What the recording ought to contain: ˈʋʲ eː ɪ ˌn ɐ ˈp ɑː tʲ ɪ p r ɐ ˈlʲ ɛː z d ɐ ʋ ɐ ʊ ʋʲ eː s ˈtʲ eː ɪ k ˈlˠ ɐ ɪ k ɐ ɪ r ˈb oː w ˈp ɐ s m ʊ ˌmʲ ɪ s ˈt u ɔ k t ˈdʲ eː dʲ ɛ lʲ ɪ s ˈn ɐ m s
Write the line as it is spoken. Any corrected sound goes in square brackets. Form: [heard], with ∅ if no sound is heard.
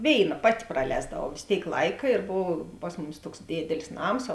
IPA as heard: ˈʋʲ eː ɪ ˌn ɐ ˈp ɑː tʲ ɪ p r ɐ ˈlʲ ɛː z d ɐ ʋ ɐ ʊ ʋʲ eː s ˈtʲ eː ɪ k ˈlˠ ɐ ɪ k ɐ ɪ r ˈb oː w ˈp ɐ s m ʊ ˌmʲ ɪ s ˈt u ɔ k [s] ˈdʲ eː dʲ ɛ lʲ ɪ s ˈn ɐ m s

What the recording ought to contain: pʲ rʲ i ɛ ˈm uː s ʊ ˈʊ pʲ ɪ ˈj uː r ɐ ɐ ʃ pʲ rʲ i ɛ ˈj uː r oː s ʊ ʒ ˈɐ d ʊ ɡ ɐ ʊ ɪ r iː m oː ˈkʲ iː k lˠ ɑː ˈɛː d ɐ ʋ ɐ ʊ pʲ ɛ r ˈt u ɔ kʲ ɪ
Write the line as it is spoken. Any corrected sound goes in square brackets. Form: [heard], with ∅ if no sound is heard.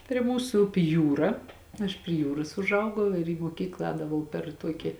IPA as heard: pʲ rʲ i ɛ ˈm uː s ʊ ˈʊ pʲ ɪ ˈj uː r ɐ ɐ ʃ pʲ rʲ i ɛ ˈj uː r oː s ʊ ʒ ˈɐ [∅] ʊ ɡ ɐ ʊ ɪ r iː m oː ˈkʲ iː k lˠ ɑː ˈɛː d ɐ ʋ ɐ ʊ pʲ ɛ r ˈt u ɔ kʲ ɪ

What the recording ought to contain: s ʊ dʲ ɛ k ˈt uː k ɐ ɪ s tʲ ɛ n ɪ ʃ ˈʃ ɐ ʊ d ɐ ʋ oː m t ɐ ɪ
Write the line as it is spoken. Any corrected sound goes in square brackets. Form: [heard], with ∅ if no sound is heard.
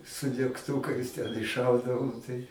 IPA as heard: s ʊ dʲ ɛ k ˈt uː k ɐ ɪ s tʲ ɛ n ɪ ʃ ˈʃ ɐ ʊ d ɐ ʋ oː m t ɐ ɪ

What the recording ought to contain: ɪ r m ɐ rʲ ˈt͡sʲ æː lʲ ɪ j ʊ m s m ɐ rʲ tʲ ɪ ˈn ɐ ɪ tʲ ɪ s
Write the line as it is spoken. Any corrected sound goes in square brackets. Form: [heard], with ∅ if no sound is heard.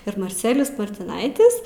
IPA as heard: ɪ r m ɐ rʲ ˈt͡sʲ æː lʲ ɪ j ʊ [∅] s m ɐ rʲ tʲ ɪ ˈn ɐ ɪ tʲ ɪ s

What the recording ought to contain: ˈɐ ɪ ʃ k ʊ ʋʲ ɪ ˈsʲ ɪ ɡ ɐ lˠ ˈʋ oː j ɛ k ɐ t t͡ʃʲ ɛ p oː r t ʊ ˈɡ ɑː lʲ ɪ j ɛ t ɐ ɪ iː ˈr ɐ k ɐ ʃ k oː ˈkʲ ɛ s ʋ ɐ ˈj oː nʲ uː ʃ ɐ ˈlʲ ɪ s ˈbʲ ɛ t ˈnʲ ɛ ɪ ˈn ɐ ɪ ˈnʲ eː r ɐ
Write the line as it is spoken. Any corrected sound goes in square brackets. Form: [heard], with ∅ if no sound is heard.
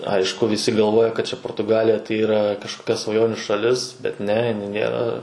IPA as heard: ˈɐ ɪ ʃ k ʊ ʋʲ ɪ ˈsʲ ɪ ɡ ɐ lˠ ˈʋ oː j ɛ k ɐ t t͡ʃʲ ɛ p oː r t ʊ ˈɡ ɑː lʲ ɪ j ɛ t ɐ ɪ iː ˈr ɐ k ɐ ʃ k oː ˈkʲ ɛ s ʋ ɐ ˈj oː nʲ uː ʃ ɐ ˈlʲ ɪ s ˈbʲ ɛ t ˈnʲ ɛ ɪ ˈn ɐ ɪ ˈnʲ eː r ɐ

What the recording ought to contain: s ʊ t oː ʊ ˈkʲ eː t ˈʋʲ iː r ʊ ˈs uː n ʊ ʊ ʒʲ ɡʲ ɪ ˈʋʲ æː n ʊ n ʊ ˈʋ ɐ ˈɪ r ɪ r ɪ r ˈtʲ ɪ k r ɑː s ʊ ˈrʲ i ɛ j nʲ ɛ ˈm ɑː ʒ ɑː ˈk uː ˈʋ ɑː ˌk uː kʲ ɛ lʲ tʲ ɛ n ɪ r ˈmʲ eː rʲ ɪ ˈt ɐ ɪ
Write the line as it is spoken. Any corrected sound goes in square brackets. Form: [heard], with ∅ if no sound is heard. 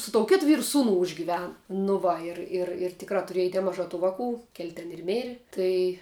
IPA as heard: s ʊ t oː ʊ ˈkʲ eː t ˈʋʲ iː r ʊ ˈs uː n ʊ ʊ ʒʲ ɡʲ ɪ ˈʋʲ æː n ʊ n ʊ ˈʋ ɐ ˈɪ r ɪ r ɪ r ˈtʲ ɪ k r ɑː [t] ʊ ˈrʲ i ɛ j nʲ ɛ ˈm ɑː ʒ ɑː [ˈt] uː ˈʋ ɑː ˌk uː kʲ ɛ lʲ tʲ ɛ n ɪ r ˈmʲ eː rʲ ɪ ˈt ɐ ɪ

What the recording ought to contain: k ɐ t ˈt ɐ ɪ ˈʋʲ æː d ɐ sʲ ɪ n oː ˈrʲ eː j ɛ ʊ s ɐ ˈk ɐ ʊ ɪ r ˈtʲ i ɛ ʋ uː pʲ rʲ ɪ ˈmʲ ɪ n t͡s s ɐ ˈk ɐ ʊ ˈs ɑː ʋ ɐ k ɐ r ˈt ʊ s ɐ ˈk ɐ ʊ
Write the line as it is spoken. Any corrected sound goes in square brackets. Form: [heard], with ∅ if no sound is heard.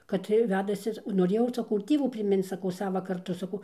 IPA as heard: k ɐ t ˈt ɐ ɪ ˈʋʲ æː d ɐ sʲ ɪ n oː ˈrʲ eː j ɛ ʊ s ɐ ˈk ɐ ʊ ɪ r ˈtʲ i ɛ ʋ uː pʲ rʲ ɪ ˈmʲ ɪ n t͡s s ɐ ˈk ɐ ʊ ˈs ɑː ʋ ɐ k ɐ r ˈt ʊ s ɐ ˈk ɐ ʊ

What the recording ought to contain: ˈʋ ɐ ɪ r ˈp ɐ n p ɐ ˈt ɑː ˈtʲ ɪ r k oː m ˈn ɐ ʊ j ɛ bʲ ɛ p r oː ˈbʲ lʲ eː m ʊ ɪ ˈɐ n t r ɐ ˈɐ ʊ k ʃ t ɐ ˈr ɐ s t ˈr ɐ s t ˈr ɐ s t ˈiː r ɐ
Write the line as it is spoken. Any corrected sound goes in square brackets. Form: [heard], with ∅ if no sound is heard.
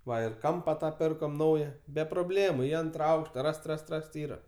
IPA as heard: ˈʋ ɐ ɪ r [ˈk] ɐ [m] p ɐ ˈt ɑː [ˈpʲ] ɪ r k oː m ˈn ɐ ʊ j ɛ bʲ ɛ p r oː ˈbʲ lʲ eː m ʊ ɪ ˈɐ n t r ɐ ˈɐ ʊ k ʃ t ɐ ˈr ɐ s t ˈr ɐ s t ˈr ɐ s t ˈiː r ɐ

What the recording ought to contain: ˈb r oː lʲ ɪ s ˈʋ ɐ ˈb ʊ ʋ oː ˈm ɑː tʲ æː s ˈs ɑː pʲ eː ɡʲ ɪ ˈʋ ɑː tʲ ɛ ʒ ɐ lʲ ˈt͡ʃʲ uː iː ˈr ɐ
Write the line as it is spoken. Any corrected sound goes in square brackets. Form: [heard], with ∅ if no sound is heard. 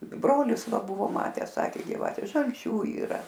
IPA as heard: ˈb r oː lʲ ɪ s ˈʋ ɐ ˈb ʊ ʋ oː ˈm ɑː tʲ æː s ˈs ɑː [kʲ] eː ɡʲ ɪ ˈʋ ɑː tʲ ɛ ʒ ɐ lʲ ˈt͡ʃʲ uː iː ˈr ɐ

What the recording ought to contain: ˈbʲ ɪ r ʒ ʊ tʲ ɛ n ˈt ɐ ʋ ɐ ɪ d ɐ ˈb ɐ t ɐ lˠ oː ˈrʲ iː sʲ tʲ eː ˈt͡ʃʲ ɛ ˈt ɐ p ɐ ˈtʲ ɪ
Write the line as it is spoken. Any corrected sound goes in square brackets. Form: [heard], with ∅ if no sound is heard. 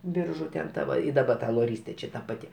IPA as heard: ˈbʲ ɪ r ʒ ʊ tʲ ɛ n ˈt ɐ ʋ ɐ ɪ d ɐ ˈb ɐ t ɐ lˠ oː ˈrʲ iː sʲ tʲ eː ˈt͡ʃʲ ɛ ˈt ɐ p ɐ ˈtʲ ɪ

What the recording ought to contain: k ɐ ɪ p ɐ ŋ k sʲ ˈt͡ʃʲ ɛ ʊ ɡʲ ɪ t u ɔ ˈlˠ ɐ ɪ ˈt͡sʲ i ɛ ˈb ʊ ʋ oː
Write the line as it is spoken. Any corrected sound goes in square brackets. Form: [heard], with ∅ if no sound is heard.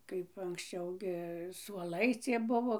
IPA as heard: k ɐ ɪ p ɐ ŋ k sʲ ˈt͡ʃʲ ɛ ʊ ɡʲ ɪ [s] u ɔ ˈlˠ ɐ ɪ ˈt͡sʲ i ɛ ˈb ʊ ʋ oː

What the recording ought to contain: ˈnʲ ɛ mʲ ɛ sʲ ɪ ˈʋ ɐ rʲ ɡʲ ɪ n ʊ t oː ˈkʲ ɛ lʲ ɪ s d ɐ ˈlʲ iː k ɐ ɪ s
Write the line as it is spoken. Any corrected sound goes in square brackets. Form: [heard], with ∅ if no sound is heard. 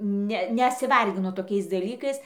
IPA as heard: ˈnʲ ɛ [nʲ] ɛ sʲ ɪ ˈʋ ɐ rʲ ɡʲ ɪ n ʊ t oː ˈkʲ ɛ [∅] ɪ s d ɐ ˈlʲ iː k ɐ ɪ s

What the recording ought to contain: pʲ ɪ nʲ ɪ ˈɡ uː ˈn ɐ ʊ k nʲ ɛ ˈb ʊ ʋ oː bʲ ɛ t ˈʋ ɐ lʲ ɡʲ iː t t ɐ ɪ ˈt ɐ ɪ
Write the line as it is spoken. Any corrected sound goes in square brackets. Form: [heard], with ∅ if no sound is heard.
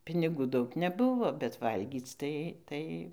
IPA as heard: pʲ ɪ nʲ ɪ ˈɡ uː [ˈd] ɐ ʊ k nʲ ɛ ˈb ʊ ʋ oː bʲ ɛ t ˈʋ ɐ lʲ ɡʲ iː [t͡s] t ɐ ɪ ˈt ɐ ɪ

